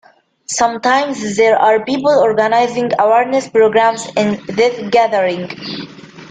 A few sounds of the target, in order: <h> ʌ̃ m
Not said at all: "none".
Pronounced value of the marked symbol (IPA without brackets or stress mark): s